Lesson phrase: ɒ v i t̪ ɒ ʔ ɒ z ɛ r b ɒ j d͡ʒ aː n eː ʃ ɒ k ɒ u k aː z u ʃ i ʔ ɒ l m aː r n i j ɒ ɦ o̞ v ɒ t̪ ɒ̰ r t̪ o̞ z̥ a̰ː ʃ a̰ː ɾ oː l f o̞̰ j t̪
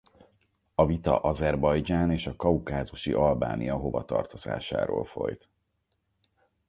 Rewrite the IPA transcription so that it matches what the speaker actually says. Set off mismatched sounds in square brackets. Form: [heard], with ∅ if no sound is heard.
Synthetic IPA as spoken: ɒ v i t̪ ɒ ʔ ɒ z ɛ r b ɒ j d͡ʒ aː n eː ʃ ɒ k ɒ u k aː z u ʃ i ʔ ɒ l [b] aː [∅] n i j ɒ ɦ o̞ v ɒ t̪ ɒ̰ r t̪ o̞ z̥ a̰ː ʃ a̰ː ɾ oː l f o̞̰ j t̪